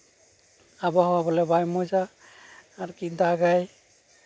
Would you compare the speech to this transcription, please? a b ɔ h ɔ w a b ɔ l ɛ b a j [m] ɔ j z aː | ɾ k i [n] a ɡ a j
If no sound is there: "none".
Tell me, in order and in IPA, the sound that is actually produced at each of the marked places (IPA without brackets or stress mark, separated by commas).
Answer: m, d